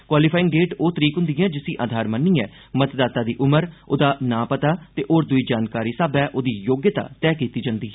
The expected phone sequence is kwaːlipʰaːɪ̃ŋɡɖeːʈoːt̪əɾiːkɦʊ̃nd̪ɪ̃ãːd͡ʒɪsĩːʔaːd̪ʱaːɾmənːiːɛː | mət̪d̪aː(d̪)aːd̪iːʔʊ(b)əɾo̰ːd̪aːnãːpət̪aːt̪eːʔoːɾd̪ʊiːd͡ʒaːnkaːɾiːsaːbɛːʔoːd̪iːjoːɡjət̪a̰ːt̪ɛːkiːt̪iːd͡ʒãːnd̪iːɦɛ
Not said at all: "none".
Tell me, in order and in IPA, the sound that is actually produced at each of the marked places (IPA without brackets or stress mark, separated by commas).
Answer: t̪, m